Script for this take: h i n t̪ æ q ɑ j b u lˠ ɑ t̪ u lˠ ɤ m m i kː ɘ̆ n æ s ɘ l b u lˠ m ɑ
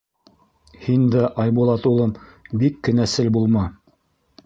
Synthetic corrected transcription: h i n d̪ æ ʔ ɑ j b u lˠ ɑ t̪ u lˠ ɤ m b i kː ɘ̆ n æ s ɘ l b u lˠ m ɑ